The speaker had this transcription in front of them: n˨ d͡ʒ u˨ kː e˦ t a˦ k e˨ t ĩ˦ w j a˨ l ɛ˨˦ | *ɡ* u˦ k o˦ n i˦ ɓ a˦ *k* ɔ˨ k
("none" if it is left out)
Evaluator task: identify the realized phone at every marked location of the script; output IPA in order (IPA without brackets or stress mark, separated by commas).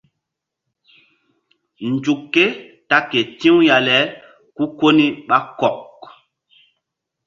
k, k